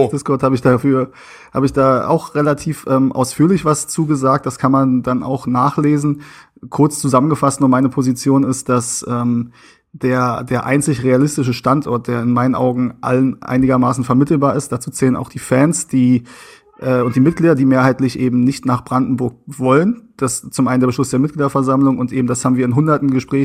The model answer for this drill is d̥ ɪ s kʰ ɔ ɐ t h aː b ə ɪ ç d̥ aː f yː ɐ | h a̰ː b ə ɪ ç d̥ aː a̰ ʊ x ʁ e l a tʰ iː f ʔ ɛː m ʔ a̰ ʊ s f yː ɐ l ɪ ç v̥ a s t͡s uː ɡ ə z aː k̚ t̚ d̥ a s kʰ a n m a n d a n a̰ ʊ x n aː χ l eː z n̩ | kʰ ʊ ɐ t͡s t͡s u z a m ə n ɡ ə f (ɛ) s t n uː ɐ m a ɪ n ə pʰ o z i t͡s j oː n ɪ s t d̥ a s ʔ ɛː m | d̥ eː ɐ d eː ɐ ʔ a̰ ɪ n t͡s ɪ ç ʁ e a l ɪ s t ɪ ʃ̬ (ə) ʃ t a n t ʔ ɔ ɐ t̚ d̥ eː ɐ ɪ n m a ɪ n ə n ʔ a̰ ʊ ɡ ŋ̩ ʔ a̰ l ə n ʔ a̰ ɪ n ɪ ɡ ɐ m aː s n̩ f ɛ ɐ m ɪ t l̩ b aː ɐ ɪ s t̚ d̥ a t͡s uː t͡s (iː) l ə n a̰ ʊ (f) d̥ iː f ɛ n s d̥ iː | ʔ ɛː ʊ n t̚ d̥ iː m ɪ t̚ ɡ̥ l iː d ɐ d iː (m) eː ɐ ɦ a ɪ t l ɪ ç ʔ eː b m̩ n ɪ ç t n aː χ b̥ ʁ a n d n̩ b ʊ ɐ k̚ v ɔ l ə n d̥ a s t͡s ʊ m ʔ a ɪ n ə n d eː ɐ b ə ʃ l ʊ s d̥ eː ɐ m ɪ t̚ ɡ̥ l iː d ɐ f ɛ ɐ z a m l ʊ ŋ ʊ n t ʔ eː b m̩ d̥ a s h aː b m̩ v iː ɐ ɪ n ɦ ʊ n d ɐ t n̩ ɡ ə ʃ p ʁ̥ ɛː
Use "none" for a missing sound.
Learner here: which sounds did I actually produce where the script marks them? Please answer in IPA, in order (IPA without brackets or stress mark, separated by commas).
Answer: a, ə, ɛː, x, m